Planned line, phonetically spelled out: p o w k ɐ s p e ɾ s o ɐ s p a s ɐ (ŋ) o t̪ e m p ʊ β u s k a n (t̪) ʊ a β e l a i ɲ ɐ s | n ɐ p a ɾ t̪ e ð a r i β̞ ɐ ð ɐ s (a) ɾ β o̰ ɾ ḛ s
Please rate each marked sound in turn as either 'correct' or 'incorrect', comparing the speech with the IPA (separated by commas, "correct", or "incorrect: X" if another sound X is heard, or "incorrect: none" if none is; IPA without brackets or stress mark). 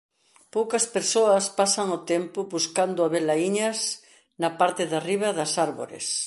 correct, incorrect: d̪, correct